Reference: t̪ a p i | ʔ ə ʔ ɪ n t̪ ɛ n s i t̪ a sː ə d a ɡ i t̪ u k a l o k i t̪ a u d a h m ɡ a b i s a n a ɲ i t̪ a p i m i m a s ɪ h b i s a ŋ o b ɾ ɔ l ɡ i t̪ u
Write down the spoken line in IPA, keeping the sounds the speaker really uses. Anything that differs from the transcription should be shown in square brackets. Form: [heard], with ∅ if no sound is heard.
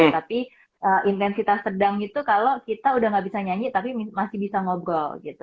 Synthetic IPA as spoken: t̪ a p i | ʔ ə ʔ [i] n t̪ ɛ n s i t̪ a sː ə d a [ŋ] i t̪ u k a l o k i t̪ a u d a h [ŋ] ɡ a b i s a [ɲ] a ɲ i t̪ a p i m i m a s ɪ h b i s a ŋ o b ɾ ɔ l ɡ i t̪ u